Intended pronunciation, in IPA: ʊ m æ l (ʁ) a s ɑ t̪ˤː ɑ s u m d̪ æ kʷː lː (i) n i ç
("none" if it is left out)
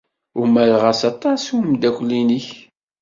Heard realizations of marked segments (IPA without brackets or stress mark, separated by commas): ʁ, i